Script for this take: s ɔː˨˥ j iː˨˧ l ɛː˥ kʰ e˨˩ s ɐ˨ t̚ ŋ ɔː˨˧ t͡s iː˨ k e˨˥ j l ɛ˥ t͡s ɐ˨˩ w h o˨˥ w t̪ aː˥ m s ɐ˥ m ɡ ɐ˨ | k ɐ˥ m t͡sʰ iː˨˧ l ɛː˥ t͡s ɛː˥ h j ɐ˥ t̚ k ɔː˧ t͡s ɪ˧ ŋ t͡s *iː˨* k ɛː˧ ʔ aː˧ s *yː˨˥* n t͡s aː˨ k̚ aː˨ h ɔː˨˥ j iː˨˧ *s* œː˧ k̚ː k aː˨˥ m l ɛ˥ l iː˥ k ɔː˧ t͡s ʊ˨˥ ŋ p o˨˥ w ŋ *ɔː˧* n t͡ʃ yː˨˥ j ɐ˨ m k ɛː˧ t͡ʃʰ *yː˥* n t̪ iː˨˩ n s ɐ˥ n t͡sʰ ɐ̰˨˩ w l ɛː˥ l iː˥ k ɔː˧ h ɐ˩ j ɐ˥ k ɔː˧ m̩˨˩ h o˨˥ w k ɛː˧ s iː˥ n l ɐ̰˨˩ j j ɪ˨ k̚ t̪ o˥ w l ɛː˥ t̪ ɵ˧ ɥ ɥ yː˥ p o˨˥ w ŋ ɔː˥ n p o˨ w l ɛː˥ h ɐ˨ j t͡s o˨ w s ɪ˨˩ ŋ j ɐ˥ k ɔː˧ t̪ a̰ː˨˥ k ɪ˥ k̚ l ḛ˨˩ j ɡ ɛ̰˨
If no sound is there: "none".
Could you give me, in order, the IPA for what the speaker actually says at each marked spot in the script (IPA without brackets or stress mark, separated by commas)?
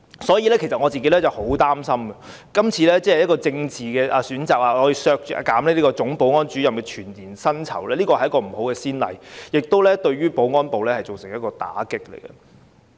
iː˨, yː˨˥, s, ɔː˥, yː˨˩